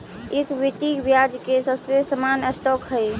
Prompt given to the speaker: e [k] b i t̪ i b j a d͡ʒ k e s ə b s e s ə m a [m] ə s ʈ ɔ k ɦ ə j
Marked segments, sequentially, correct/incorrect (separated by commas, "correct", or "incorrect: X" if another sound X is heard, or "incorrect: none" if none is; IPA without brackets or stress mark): correct, incorrect: n